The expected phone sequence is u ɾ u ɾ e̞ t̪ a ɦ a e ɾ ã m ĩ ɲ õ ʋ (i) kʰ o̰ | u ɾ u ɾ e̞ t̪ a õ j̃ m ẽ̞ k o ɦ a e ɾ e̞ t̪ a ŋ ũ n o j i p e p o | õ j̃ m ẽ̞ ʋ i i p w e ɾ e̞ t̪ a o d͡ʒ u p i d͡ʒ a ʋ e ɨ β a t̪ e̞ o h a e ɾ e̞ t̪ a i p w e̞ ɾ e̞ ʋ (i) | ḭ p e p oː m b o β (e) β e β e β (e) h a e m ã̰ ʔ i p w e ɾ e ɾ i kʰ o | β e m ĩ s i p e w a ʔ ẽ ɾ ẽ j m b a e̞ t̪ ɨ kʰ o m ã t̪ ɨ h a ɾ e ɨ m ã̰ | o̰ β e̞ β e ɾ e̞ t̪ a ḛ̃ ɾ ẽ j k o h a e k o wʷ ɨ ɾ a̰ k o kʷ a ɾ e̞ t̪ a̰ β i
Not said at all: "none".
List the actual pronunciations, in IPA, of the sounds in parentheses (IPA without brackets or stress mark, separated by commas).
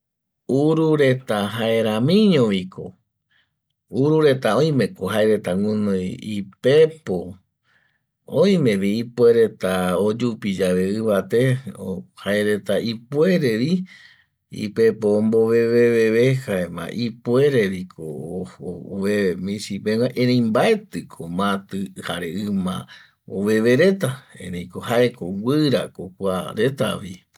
i, i, e, e